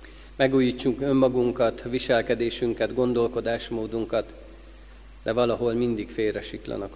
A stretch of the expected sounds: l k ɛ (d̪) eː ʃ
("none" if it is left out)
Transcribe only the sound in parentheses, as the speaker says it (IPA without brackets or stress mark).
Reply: d̪